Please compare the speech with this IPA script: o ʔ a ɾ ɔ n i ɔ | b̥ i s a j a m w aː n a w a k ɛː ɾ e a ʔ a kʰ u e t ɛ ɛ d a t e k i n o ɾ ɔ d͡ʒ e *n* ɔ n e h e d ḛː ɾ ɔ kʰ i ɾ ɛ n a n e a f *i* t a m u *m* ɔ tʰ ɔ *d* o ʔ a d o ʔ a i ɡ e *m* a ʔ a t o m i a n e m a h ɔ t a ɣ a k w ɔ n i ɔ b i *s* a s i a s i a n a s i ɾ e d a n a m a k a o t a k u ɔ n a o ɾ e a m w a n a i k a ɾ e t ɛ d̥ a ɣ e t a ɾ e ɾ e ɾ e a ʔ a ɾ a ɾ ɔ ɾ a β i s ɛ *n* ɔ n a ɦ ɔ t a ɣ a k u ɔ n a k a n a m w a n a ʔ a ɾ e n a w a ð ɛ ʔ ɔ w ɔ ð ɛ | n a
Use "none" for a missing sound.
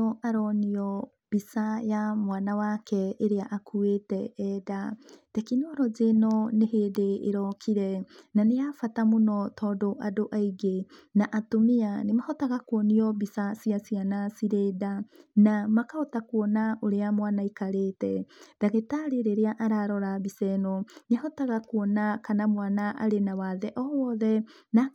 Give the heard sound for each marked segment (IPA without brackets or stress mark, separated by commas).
n, a, n, d, n, s, n